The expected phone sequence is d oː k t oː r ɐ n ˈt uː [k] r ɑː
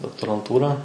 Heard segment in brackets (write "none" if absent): none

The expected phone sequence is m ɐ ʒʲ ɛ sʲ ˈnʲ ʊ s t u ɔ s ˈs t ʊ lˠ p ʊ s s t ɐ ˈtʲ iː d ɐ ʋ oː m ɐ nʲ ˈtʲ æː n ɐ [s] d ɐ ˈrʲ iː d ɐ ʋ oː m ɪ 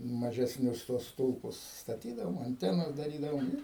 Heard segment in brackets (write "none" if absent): s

